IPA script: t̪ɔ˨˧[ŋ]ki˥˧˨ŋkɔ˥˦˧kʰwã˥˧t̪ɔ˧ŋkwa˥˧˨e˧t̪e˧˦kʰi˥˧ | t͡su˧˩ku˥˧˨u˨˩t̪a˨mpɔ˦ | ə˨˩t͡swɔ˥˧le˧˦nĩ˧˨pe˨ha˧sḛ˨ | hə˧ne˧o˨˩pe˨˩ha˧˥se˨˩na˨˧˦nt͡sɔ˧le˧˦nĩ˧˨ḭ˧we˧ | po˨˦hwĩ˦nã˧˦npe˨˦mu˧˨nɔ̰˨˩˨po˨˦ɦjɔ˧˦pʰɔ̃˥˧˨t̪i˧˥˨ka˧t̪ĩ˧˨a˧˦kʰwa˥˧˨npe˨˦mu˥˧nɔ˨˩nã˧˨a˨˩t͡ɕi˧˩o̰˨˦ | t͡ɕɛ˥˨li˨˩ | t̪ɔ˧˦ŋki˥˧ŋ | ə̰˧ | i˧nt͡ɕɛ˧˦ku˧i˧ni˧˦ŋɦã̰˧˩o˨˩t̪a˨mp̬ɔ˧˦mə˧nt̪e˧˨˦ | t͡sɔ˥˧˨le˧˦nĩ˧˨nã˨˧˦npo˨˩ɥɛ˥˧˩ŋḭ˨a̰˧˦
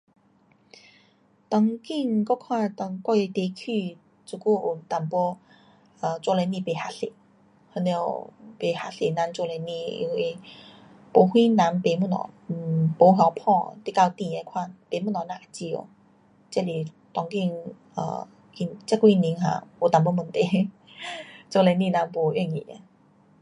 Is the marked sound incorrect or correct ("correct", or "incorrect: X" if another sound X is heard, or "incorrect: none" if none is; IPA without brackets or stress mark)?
correct